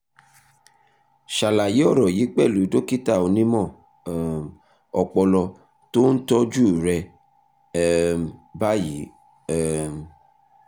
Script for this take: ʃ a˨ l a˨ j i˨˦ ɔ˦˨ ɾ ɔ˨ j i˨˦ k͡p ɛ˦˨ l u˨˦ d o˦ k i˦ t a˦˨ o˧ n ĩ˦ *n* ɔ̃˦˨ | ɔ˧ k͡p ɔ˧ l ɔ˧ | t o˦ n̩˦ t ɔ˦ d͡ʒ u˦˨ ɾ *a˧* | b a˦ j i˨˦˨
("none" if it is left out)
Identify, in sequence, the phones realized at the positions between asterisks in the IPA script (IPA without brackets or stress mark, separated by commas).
m, ɛ˧